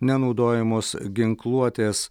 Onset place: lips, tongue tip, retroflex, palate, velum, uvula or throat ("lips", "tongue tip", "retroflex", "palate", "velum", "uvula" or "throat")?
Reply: tongue tip